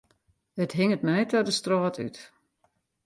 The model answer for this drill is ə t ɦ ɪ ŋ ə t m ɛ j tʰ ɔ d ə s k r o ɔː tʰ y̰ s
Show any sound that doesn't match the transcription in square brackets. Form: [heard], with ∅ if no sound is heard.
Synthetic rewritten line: ə t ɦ ɪ ŋ ə t m ɛ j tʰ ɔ d ə s [t] r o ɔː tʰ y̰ [t]